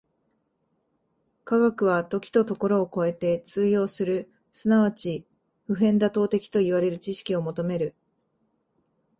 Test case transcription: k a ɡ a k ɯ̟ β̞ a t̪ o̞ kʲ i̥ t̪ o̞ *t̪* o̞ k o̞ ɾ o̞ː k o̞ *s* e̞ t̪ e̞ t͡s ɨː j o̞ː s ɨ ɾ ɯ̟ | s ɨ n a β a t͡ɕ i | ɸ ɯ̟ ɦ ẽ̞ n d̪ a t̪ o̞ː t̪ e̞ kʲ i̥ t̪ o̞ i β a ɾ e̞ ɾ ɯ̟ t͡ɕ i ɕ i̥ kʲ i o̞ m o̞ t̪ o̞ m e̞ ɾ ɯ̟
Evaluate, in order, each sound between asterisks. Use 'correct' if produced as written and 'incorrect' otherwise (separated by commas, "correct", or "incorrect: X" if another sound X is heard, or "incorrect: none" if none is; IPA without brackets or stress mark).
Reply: correct, incorrect: none